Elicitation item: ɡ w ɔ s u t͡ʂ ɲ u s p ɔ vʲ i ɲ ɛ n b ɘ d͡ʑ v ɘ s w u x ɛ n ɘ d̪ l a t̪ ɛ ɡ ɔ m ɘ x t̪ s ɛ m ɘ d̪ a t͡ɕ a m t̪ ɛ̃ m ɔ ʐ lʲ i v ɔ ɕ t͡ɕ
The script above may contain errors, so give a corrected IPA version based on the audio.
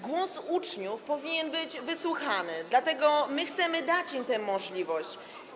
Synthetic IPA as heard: ɡ w ɔ s u t͡ʂ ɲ u f p ɔ vʲ i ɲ ɛ n b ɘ d͡ʑ v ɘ s w u x a n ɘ d̪ l a t̪ ɛ ɡ ɔ m ɘ x t̪ s ɛ m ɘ d̪ a t͡ɕ i m t̪ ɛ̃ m ɔ ʐ lʲ i v ɔ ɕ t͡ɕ